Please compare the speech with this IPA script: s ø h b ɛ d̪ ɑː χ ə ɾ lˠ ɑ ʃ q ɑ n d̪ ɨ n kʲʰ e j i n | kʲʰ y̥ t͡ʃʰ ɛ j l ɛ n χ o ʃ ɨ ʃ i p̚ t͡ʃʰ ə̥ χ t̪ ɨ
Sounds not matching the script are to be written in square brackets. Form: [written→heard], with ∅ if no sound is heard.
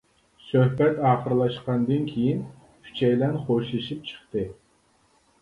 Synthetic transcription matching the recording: s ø h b ɛ [d̪→t̪] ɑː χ ə ɾ lˠ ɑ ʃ q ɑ n d̪ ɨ n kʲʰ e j i n | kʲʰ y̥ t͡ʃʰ ɛ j l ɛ n χ o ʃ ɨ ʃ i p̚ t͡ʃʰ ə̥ χ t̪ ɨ